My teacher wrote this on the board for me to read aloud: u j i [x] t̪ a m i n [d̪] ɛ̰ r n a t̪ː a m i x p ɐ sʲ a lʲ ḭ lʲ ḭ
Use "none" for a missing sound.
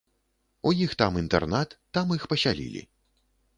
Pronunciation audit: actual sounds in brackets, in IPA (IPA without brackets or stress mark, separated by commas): x, t̪